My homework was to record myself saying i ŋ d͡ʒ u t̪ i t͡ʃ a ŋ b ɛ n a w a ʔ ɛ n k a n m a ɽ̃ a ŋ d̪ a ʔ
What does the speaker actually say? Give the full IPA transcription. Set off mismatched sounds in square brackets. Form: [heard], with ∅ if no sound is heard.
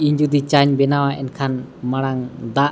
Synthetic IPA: i [ɲ] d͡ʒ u [d̪] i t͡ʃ a [ɲ] b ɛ n a w a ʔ ɛ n [kʰ] a n m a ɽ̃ a ŋ d̪ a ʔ